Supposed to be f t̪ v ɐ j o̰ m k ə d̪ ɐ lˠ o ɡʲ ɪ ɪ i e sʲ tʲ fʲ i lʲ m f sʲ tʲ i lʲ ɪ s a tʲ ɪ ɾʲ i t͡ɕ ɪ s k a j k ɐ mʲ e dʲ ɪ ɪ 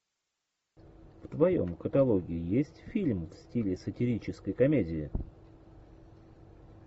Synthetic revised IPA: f t̪ v ɐ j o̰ m k ə t̪ ɐ lˠ o ɡʲ ɪ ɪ j e sʲ tʲ fʲ i lʲ m f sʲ tʲ i lʲ ɪ s ə tʲ ɪ ɾʲ i t͡ɕ ɪ s k ə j k ɐ mʲ e dʲ ɪ ɪ